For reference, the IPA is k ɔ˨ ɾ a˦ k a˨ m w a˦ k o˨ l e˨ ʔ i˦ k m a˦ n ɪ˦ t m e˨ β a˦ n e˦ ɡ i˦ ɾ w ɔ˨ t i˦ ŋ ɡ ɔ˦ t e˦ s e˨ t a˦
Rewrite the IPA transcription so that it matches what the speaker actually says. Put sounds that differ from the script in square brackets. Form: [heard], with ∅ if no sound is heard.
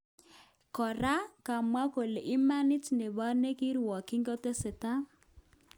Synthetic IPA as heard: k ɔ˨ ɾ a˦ k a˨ m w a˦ k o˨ l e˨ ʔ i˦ [∅] m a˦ n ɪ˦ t [n] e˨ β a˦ n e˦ [k] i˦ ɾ w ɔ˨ [k] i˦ ŋ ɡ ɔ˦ t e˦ s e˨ t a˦